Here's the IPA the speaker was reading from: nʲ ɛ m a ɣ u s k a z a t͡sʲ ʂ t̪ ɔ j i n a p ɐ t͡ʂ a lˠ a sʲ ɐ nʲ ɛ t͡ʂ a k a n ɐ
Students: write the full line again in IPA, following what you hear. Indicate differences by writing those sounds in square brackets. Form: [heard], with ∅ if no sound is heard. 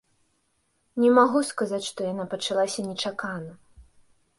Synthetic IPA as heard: nʲ ɛ m a ɣ u s k a z a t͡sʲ ʂ t̪ ɔ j [a] n a p ɐ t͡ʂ a lˠ a sʲ ɐ nʲ ɛ t͡ʂ a k a n ɐ